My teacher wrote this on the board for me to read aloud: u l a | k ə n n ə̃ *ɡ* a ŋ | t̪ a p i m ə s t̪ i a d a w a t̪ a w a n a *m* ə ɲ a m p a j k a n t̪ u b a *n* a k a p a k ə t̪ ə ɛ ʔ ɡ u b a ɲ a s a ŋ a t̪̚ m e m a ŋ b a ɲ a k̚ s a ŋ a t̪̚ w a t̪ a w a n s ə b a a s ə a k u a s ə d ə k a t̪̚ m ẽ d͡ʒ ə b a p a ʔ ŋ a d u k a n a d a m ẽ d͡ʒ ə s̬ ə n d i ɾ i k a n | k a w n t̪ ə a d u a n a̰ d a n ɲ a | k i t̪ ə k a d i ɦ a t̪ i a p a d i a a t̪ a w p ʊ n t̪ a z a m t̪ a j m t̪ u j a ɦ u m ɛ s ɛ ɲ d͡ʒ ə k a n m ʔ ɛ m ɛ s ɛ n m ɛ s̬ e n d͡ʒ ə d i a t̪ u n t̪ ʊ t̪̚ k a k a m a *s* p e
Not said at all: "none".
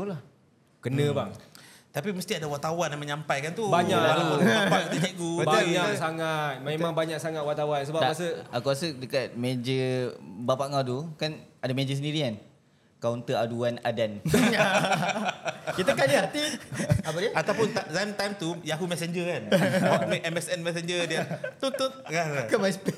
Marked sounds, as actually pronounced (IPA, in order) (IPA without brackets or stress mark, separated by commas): b, m, ɲ, s